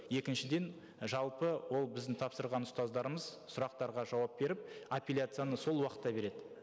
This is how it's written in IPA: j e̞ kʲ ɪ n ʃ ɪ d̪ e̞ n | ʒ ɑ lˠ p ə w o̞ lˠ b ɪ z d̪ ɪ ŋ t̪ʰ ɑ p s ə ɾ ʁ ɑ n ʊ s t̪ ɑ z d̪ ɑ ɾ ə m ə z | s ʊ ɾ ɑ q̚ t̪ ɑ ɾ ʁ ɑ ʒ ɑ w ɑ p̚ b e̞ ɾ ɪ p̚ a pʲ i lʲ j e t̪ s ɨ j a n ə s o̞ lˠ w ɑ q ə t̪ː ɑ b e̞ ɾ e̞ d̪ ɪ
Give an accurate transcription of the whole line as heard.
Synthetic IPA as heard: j e̞ kʲ ɪ n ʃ ɪ d̪ e̞ n | ʒ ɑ lˠ p ə w o̞ lˠ b ɪ z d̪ ɪ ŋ t̪ʰ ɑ p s ə ɾ ʁ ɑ n ʊ s t̪ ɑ z d̪ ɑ ɾ ə m ə z | s ʊ ɾ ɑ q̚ t̪ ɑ ɾ ʁ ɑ ʒ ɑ w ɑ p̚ b e̞ ɾ ɪ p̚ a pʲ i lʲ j a t̪ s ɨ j a n ə s o̞ lˠ w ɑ q ə t̪ː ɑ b e̞ ɾ e̞ d̪ ɪ